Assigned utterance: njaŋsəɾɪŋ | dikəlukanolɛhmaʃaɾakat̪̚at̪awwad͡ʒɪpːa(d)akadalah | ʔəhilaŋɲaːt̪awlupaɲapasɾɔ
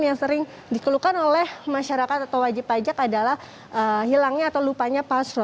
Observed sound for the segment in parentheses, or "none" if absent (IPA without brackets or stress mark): d͡ʒ